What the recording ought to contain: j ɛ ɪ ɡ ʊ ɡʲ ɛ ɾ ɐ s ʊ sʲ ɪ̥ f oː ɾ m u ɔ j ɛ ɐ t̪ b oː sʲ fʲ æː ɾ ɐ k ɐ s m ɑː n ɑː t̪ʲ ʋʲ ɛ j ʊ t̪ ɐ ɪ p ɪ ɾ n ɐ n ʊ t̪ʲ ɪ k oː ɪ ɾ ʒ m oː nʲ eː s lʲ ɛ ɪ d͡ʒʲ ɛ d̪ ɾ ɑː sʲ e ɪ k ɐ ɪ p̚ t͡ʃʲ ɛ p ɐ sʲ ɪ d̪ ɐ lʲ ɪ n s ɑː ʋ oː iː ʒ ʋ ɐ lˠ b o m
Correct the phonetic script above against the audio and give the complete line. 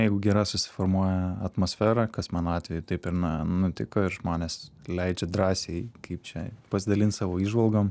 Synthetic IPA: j ɛ ɪ ɡ ʊ ɡʲ ɛ ɾ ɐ s ʊ sʲ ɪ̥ f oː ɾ m u ɔ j ɛ ɐ t̪ m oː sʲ fʲ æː ɾ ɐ k ɐ s m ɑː n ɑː t̪ʲ ʋʲ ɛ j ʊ t̪ ɐ ɪ p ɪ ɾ n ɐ n ʊ t̪ʲ ɪ k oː ɪ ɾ ʒ m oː nʲ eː s lʲ ɛ ɪ d͡ʒʲ ɛ d̪ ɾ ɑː sʲ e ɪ k ɐ ɪ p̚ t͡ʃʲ ɛ p ɐ sʲ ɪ d̪ ɐ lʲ ɪ n s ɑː ʋ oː iː ʒ ʋ ɐ lˠ ɡ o m